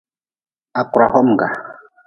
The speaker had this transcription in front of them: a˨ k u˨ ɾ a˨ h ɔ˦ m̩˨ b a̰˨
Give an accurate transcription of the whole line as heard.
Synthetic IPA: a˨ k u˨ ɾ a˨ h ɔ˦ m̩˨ ɡ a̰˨